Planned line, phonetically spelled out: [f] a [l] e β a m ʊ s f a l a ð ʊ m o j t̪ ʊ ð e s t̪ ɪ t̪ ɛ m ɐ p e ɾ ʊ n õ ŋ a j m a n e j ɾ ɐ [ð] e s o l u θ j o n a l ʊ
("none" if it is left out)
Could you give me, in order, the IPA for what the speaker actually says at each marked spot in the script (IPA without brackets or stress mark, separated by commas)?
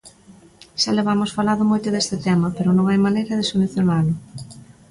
ʃ, l, ð